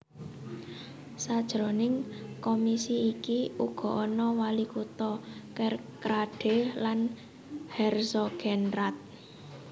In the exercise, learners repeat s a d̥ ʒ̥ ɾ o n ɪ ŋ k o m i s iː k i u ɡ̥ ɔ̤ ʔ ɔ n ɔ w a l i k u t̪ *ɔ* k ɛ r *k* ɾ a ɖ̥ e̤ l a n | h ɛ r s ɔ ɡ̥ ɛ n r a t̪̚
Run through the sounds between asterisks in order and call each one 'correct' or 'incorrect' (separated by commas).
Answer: correct, correct